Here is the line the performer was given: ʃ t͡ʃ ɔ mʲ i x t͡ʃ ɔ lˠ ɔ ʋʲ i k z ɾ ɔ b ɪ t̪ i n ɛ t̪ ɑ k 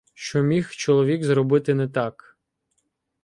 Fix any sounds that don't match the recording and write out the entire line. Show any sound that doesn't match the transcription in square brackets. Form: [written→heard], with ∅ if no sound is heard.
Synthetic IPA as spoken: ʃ t͡ʃ ɔ mʲ i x t͡ʃ ɔ lˠ ɔ ʋʲ i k z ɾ ɔ b ɪ t̪ [i→ɪ] n ɛ t̪ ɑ k